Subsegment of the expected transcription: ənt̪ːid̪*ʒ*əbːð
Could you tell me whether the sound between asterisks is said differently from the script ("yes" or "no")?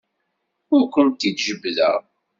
no